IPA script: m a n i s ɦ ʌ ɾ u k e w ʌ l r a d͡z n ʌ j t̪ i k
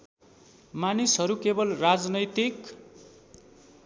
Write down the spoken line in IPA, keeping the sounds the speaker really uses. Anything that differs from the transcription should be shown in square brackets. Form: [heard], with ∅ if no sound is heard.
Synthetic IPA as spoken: m a n i s ɦ ʌ ɾ u k e [b] ʌ l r a d͡z n ʌ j t̪ i k